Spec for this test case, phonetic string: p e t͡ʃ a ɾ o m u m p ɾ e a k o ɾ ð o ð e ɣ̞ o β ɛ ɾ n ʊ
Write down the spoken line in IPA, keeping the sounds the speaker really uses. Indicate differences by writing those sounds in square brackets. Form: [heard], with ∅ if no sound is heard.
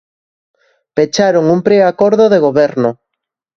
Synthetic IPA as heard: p e t͡ʃ a ɾ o [ŋ] u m p ɾ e a k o ɾ ð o ð e ɣ̞ o β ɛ ɾ n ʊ